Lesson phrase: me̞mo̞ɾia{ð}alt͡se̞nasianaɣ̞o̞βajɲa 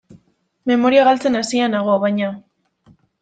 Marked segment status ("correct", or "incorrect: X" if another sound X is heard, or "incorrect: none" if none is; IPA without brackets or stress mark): incorrect: ɣ